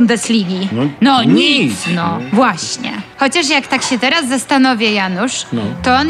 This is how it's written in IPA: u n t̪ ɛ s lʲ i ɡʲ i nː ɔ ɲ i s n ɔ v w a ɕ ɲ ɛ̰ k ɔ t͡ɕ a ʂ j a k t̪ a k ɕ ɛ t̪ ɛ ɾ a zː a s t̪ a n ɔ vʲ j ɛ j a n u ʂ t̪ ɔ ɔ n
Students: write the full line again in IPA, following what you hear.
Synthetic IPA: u n d̪ ɛ s lʲ i ɡʲ i n ɔ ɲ i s n ɔ v w a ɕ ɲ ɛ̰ x ɔ t͡ɕ a ʂ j a k t̪ a k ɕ ɛ t̪ ɛ ɾ a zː a s t̪ a n ɔ vʲ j ɛ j a n u ʂ t̪ ɔ ɔ n